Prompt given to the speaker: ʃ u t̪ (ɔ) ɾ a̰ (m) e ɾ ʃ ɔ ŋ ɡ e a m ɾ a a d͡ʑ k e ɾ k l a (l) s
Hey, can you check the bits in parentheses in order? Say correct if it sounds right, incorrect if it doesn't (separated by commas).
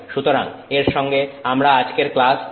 incorrect, incorrect, incorrect